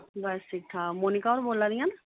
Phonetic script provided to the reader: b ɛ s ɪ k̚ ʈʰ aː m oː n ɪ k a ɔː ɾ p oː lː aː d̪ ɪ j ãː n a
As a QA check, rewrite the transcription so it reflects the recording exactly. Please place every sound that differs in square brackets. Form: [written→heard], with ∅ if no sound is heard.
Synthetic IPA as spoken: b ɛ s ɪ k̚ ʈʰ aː m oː n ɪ k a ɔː ɾ [p→b] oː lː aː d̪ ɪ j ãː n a